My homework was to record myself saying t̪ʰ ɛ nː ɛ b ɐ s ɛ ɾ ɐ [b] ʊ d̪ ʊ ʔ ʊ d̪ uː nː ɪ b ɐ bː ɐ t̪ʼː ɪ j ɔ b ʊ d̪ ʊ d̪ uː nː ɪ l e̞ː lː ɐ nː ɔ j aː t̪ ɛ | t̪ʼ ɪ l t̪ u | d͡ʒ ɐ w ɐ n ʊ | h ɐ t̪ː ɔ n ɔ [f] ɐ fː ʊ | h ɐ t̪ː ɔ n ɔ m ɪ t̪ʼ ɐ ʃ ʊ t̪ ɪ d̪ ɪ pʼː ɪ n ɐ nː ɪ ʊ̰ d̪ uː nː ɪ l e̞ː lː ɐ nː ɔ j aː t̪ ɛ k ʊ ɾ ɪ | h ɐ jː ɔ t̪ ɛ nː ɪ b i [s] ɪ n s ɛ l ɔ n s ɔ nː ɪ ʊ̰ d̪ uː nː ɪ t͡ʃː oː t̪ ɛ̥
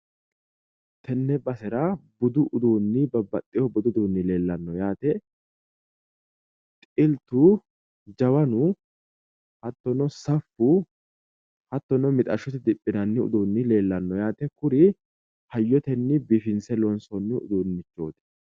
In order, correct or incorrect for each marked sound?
correct, incorrect: s, incorrect: f

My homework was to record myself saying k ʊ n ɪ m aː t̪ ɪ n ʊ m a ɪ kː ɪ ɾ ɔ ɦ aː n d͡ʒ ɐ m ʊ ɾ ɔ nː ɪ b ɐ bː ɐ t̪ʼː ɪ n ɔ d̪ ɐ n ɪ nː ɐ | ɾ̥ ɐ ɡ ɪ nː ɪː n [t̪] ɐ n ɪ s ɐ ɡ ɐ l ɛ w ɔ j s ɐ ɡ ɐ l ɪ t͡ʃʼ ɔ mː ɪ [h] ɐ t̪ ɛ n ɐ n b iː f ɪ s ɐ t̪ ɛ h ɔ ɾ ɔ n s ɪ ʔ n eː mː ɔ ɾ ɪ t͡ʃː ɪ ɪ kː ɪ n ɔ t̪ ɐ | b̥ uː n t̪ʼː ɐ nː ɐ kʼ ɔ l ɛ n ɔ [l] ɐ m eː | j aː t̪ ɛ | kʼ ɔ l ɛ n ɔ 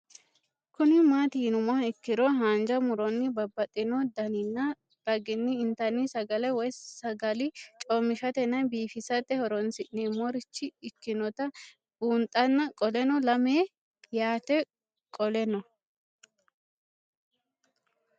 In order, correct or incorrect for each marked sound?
correct, incorrect: ʃ, correct

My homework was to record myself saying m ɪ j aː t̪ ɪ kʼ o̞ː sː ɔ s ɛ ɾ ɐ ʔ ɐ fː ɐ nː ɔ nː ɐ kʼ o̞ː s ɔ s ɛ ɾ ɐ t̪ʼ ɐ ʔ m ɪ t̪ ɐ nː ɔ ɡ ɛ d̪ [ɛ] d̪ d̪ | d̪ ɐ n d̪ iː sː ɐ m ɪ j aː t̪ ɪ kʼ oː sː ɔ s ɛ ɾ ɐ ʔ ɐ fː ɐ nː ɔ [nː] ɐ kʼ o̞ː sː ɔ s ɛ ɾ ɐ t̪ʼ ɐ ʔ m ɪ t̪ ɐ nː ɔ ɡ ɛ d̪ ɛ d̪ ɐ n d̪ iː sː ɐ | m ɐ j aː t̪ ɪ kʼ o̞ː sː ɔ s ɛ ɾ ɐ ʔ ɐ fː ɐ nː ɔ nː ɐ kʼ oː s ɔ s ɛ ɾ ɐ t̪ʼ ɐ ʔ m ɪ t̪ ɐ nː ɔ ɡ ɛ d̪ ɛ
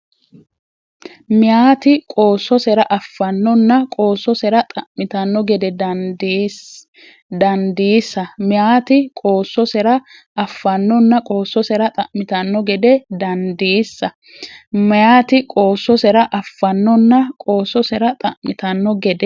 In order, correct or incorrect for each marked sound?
correct, correct

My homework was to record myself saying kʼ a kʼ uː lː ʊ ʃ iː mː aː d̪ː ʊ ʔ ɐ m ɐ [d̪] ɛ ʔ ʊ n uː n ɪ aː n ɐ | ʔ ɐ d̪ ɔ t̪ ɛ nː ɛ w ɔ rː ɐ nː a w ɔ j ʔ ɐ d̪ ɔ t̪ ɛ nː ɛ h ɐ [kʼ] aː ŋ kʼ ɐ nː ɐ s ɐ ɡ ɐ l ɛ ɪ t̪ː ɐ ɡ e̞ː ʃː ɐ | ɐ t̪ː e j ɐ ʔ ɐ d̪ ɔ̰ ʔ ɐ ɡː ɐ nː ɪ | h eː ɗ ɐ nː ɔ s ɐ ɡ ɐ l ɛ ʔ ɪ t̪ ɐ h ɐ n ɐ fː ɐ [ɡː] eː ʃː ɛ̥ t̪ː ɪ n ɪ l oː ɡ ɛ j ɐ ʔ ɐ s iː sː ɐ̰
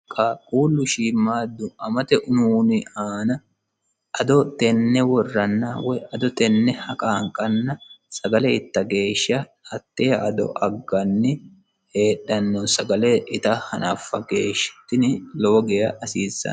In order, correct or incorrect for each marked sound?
incorrect: t̪, correct, incorrect: ɡ

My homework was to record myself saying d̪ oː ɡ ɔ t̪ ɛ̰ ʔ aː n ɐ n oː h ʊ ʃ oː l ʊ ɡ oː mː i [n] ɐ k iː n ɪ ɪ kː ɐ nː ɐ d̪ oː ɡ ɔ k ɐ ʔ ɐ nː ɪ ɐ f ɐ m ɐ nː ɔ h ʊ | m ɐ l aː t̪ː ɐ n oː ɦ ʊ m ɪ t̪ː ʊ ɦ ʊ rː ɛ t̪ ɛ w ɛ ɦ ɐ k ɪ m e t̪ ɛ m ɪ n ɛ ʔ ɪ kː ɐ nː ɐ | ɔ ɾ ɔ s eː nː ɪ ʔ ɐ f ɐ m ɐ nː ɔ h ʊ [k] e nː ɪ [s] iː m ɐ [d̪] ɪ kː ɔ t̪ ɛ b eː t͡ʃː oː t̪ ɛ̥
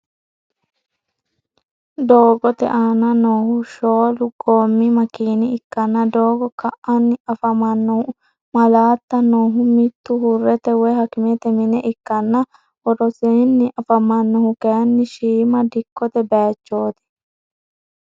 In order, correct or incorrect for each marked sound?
incorrect: m, correct, incorrect: ʃ, correct

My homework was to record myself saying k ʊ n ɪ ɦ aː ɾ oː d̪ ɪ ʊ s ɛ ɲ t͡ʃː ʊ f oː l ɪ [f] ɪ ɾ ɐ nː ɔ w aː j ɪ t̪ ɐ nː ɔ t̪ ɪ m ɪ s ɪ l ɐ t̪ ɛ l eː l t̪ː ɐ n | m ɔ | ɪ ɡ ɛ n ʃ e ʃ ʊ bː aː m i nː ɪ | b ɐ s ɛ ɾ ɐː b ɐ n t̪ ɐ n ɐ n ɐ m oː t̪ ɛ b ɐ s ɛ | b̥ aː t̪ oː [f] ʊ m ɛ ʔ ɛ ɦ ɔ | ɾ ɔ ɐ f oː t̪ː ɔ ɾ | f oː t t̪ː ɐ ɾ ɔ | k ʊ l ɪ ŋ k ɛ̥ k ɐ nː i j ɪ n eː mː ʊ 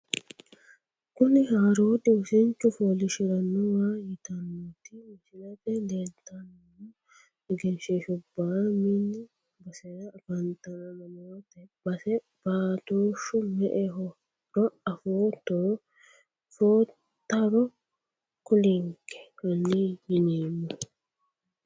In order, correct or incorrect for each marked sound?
incorrect: ʃ, incorrect: ʃ

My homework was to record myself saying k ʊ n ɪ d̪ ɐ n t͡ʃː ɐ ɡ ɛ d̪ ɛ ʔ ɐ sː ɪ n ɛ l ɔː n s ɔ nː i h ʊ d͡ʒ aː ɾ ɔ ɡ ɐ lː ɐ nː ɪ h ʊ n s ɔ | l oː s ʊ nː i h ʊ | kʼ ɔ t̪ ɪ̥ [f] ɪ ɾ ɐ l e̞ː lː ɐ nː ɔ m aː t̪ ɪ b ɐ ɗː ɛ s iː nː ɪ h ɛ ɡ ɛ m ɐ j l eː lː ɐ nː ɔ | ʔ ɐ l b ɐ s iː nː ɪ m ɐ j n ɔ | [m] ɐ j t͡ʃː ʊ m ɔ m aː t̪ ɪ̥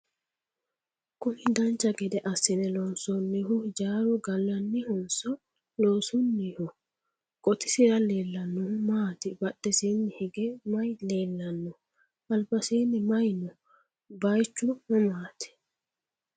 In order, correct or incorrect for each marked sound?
incorrect: s, incorrect: b

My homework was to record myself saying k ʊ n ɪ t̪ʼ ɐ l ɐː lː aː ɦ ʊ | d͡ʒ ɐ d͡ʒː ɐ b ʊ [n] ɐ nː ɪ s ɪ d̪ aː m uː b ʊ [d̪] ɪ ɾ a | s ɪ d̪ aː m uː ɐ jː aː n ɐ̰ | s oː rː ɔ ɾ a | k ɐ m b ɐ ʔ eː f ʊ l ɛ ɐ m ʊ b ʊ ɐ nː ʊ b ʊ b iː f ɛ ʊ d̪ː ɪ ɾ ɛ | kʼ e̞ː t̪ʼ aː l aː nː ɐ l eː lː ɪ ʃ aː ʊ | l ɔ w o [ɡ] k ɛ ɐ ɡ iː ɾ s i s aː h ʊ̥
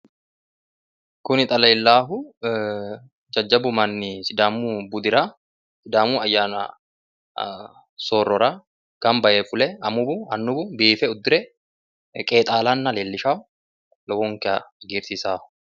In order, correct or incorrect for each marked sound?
incorrect: m, correct, incorrect: ŋ

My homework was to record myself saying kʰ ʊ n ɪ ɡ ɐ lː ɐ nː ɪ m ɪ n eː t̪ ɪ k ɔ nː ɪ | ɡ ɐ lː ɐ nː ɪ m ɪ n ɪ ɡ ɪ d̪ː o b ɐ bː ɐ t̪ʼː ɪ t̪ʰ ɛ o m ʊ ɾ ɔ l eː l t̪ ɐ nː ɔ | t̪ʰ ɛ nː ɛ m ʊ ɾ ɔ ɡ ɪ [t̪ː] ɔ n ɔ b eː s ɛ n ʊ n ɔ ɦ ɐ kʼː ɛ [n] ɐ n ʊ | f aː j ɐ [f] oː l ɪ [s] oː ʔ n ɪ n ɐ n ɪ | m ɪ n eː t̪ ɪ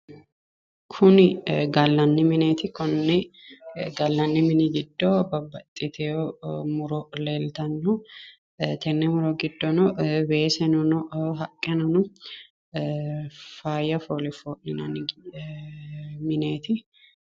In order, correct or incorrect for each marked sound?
incorrect: d̪ː, correct, correct, incorrect: f

